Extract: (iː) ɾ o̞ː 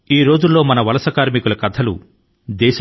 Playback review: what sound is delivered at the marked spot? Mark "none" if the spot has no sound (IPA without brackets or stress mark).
iː